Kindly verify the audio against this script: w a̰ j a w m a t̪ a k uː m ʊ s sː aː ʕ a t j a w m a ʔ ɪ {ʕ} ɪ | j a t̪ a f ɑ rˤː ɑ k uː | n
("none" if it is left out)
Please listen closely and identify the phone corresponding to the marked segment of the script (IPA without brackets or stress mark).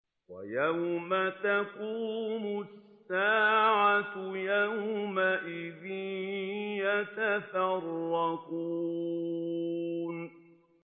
ð